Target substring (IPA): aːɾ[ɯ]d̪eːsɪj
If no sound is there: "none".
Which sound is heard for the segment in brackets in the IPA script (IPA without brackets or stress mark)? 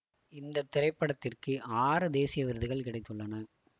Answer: ɯ